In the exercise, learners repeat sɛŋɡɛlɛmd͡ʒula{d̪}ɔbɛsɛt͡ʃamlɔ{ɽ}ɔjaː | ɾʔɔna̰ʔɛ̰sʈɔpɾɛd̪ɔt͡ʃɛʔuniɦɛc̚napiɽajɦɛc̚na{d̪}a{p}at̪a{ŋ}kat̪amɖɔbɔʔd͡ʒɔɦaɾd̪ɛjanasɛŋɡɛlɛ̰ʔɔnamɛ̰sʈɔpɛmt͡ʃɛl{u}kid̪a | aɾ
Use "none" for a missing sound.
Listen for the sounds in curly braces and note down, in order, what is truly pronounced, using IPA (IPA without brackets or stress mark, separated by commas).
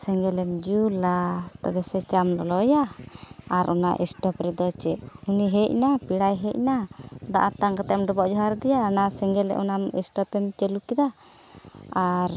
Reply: t̪, l, d̪, ʔ, ŋ, u